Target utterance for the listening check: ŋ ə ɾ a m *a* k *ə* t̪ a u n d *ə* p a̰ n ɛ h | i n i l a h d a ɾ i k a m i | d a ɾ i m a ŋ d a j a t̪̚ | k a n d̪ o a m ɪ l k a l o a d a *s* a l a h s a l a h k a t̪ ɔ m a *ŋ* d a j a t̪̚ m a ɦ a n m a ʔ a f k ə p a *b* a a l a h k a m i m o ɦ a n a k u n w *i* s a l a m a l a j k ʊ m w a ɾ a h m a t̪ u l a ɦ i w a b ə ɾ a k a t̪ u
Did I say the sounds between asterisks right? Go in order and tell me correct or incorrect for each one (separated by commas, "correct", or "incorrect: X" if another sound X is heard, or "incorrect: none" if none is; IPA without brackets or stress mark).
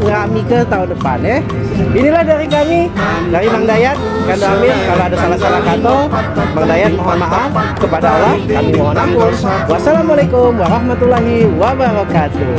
incorrect: i, correct, correct, correct, correct, incorrect: d, incorrect: a